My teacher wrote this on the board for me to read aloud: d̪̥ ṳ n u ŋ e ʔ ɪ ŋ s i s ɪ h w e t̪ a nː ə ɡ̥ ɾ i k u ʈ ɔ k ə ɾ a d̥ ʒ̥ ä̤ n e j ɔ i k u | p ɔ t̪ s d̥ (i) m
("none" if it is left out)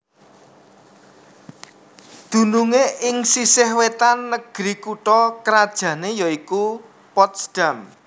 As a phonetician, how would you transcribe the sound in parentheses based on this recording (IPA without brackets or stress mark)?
a